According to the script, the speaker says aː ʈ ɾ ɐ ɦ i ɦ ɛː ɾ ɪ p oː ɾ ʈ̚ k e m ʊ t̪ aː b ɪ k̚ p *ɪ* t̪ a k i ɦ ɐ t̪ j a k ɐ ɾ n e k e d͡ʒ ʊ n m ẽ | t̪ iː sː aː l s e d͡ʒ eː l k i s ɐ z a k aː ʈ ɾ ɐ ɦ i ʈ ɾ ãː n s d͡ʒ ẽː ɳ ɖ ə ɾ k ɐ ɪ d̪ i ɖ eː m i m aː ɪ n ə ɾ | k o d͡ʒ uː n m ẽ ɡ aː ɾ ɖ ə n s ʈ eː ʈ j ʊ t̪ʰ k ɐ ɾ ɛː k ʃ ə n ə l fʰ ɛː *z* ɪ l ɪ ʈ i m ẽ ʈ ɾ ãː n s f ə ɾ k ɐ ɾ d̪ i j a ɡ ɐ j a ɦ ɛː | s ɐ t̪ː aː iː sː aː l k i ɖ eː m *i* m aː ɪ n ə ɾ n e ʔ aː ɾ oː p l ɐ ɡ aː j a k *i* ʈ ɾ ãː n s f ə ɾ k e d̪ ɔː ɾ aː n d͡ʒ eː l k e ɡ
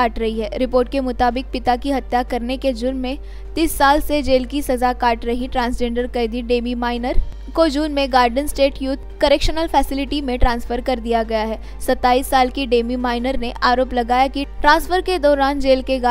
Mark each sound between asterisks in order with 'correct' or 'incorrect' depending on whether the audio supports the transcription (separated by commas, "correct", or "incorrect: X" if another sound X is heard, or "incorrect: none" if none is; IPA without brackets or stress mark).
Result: correct, incorrect: s, correct, correct